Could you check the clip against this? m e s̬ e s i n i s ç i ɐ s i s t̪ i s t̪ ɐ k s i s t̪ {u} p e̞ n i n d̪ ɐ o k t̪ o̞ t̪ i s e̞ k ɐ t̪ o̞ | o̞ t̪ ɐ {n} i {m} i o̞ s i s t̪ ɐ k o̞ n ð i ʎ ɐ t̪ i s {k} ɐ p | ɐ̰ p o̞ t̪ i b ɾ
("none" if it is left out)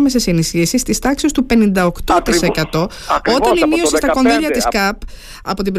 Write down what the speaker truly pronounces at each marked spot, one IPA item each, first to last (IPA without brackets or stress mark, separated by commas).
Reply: u, n, m, k